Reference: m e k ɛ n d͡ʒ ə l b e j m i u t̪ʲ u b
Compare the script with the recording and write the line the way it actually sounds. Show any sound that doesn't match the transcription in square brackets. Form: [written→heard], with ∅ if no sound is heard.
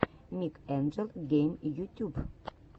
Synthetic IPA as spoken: m [e→i] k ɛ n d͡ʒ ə l [b→ɡ] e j m [i→j] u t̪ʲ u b